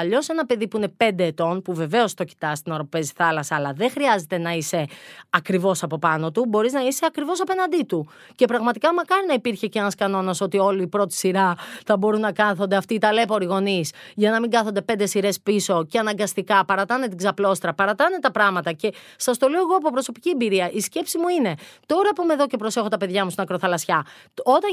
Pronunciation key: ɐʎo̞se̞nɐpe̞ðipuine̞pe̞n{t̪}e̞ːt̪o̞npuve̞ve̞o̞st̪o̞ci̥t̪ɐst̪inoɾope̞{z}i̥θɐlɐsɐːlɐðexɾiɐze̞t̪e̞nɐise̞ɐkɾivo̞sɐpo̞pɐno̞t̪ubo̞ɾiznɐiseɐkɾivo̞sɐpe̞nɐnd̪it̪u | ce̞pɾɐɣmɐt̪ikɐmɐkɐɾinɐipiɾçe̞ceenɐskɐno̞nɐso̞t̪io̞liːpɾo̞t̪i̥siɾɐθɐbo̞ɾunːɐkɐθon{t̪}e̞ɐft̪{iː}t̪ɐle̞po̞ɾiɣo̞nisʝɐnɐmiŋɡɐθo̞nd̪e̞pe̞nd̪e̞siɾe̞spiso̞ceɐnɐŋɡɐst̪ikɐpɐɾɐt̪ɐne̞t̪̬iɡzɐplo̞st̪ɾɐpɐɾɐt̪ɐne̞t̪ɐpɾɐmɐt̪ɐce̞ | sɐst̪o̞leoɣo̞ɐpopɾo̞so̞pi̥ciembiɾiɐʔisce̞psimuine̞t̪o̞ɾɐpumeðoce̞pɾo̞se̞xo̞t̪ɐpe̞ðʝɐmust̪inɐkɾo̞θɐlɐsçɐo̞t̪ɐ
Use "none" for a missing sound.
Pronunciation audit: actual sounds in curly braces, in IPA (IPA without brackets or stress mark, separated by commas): d̪, z, d̪, iː